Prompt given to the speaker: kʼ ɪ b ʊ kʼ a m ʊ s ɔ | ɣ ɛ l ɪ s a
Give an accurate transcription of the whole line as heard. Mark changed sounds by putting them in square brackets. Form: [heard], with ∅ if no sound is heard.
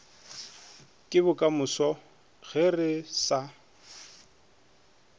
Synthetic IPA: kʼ ɪ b ʊ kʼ a m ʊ s ɔ | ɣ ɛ [r] ɪ s a